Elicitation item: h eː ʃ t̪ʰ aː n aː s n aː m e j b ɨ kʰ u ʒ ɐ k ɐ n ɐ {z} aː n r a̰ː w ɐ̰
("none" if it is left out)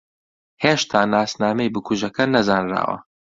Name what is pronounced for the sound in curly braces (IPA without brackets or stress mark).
z